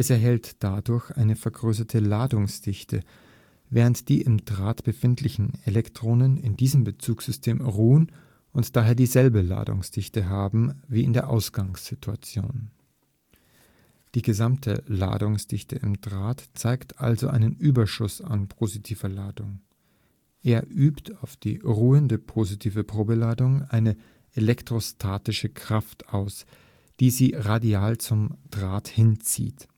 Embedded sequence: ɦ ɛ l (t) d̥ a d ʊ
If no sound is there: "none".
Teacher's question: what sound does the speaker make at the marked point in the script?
t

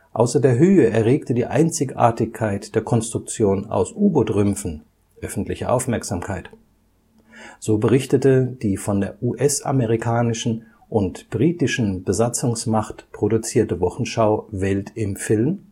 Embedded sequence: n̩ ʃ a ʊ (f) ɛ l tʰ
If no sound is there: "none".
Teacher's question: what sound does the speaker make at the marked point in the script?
v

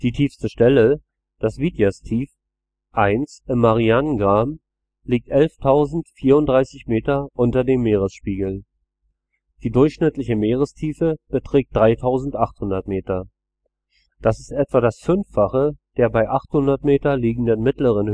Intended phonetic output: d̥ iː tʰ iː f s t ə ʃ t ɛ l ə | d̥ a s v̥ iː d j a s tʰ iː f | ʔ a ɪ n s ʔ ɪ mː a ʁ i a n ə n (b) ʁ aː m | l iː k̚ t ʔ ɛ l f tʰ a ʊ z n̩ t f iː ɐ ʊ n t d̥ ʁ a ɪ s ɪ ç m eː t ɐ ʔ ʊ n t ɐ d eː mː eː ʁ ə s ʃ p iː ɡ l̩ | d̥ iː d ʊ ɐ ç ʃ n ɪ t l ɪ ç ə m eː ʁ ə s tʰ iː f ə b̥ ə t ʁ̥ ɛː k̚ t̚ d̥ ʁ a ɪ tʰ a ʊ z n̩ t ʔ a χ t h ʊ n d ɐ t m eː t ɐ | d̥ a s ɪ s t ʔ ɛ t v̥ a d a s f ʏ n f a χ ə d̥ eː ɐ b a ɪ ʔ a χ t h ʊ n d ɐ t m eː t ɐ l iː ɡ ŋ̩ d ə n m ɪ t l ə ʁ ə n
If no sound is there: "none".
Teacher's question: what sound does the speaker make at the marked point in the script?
ɡ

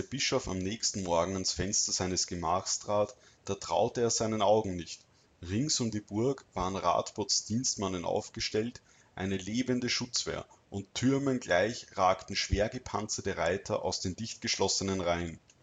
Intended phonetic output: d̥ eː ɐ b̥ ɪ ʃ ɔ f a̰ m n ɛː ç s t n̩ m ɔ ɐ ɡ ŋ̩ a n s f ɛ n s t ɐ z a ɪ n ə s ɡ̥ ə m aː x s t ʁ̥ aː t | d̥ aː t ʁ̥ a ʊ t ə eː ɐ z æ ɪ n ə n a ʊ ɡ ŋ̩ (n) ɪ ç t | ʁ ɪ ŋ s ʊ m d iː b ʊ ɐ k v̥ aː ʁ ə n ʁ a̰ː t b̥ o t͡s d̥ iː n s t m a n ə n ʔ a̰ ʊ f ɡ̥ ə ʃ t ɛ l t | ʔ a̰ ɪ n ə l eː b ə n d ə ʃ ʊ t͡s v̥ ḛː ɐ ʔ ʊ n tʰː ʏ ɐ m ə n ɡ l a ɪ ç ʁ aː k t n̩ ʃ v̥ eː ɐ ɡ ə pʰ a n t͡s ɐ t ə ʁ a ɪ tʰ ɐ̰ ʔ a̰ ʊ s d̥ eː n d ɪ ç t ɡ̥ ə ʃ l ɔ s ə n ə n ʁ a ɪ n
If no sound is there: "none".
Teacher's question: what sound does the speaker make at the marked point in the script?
n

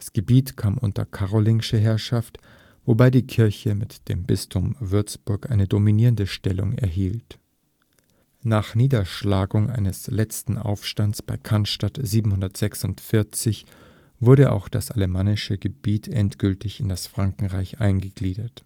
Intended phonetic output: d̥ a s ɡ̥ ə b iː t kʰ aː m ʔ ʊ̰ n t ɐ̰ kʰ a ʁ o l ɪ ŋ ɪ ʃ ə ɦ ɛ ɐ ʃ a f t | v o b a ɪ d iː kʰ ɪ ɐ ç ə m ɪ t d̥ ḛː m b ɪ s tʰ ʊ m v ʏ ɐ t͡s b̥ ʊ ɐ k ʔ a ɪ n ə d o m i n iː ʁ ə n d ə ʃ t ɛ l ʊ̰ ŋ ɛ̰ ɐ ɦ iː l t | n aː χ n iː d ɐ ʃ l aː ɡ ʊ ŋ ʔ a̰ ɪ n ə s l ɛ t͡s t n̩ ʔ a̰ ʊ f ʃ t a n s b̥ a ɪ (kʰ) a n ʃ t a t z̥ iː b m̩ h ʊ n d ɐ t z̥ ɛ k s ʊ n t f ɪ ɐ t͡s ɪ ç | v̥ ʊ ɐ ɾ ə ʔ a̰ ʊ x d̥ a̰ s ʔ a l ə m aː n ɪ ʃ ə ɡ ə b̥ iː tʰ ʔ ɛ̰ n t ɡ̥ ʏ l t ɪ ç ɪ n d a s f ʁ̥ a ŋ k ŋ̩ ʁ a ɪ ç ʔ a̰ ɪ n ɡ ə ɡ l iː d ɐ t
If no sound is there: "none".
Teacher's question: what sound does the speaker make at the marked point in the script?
kʰ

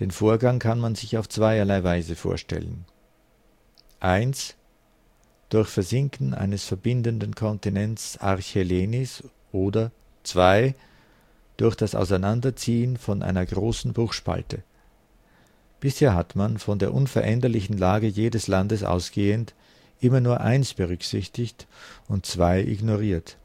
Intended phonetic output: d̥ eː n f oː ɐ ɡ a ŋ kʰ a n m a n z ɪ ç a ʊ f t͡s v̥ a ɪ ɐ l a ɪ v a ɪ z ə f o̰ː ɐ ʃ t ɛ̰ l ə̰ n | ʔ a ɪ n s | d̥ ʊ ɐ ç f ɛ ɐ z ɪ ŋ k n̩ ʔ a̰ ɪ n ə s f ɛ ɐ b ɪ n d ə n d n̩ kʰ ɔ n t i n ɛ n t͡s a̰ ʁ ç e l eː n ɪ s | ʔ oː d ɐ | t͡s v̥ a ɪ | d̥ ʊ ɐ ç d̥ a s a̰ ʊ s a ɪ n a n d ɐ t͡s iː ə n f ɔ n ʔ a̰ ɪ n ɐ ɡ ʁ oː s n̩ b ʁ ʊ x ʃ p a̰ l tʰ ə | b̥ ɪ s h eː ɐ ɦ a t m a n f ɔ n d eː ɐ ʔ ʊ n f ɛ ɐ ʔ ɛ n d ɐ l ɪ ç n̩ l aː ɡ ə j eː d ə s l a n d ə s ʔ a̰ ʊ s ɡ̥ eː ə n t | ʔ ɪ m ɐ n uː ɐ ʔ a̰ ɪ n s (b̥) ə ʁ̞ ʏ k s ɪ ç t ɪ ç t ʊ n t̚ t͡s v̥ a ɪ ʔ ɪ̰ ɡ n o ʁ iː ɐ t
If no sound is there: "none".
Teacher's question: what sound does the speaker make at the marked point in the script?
b̥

